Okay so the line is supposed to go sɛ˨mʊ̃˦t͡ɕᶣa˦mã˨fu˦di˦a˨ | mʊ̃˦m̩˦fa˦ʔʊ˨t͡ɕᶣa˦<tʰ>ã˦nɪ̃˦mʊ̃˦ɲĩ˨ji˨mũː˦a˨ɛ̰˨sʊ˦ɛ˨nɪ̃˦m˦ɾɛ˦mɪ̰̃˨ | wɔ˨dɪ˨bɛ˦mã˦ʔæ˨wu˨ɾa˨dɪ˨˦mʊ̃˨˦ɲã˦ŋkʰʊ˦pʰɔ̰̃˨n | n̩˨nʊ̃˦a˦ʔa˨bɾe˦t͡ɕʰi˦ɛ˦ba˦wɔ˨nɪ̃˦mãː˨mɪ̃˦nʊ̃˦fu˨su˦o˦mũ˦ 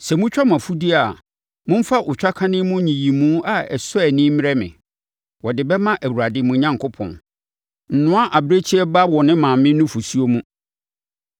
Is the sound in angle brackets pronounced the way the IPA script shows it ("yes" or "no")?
no